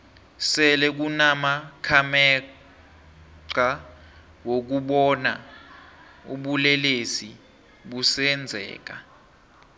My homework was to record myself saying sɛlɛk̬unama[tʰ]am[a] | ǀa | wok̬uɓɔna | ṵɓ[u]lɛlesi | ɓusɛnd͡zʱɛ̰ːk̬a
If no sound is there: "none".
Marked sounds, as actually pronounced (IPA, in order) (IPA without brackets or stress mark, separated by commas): kʰ, ɛ, u